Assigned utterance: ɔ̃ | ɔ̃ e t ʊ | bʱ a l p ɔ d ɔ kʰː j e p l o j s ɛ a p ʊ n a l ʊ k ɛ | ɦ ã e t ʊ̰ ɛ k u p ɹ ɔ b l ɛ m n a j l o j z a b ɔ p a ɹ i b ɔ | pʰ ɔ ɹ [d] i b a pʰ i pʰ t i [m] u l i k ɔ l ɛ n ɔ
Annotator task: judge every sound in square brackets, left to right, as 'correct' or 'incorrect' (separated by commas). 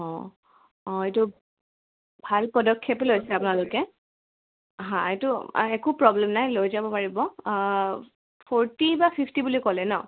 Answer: incorrect, incorrect